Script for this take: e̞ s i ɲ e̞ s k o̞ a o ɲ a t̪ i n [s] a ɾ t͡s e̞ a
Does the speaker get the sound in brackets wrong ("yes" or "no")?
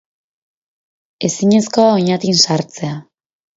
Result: no